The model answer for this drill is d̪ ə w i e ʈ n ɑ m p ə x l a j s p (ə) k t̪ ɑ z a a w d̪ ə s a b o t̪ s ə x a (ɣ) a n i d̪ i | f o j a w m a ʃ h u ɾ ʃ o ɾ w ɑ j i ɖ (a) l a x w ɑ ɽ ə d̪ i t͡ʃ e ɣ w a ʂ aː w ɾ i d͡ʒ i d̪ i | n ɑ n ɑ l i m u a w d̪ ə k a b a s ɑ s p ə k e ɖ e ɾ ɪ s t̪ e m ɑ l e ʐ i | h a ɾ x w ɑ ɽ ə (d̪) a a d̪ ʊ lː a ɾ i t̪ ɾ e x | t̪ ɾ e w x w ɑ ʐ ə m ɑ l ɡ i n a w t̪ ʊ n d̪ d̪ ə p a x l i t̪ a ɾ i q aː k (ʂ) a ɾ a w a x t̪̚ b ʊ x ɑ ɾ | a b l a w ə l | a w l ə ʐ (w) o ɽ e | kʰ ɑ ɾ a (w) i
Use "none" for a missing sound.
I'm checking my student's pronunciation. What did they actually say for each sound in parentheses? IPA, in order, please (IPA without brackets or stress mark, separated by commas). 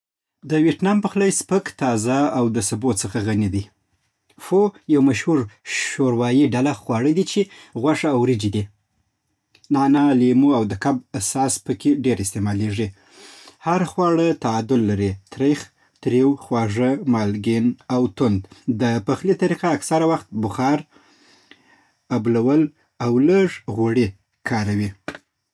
ə, ɣ, a, t̪, s, ɣ, w